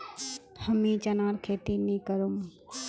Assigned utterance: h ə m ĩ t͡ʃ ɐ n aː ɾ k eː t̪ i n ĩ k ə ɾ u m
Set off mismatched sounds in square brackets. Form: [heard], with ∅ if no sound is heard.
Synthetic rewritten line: h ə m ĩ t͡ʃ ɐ n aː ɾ [kʰ] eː t̪ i n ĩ k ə ɾ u m